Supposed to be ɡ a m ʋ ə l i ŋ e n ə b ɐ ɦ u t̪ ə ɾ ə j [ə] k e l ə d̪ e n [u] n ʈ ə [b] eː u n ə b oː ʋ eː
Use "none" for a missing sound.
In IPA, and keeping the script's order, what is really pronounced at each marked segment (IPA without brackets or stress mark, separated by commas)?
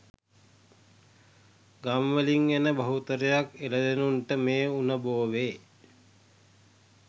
a, u, m